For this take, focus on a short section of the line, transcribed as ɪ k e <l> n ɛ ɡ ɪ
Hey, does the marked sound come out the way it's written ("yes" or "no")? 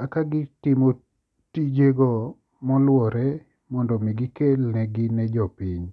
yes